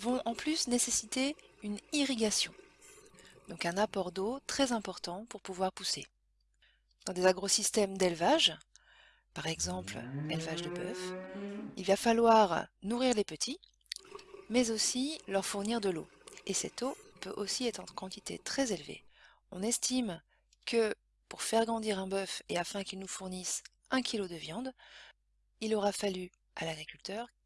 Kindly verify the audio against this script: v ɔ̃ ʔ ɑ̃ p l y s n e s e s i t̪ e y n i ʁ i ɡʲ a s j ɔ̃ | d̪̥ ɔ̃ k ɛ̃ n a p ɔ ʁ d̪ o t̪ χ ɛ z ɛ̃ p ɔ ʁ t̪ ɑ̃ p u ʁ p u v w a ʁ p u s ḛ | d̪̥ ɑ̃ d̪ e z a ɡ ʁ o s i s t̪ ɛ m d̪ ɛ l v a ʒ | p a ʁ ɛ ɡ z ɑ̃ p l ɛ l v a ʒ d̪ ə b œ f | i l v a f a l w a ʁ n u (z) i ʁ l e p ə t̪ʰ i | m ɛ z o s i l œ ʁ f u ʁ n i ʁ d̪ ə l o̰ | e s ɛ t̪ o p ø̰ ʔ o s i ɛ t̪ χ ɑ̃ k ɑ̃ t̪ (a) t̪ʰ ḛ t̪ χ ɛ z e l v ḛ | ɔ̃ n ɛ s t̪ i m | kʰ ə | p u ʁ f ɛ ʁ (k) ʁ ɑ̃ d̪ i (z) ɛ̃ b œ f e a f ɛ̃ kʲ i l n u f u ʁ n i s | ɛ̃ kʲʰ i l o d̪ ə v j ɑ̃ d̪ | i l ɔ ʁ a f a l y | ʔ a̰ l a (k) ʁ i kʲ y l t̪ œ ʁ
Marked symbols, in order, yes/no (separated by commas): no, no, no, no, no